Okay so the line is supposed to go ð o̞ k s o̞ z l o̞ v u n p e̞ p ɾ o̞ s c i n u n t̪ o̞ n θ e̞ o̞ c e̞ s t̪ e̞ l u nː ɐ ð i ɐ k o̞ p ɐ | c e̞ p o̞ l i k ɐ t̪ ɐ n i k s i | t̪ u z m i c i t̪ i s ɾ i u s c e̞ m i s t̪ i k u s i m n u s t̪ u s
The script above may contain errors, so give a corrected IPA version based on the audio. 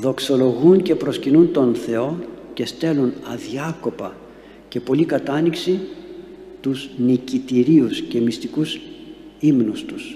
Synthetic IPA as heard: ð o̞ k s o̞ l o̞ ɣ u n c e̞ p ɾ o̞ s c i n u n t̪ o̞ n θ e̞ o̞ c e̞ s t̪ e̞ l u n ɐ ð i ɐ k o̞ p ɐ | c e̞ p o̞ l i k ɐ t̪ ɐ n i k s i | t̪ u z n i c i t̪ i ɾ i u s c e̞ m i s t̪ i k u s i m n u s t̪ u s